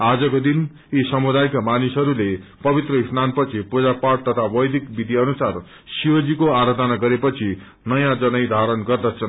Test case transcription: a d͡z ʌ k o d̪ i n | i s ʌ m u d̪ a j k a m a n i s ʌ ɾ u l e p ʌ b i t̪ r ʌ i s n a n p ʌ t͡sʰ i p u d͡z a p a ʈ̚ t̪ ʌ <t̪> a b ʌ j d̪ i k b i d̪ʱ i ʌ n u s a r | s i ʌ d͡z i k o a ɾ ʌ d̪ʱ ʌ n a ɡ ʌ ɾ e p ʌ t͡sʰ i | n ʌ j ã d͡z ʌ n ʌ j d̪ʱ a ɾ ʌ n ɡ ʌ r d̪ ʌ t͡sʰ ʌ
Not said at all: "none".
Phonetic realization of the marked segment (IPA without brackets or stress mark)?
t̪ʰ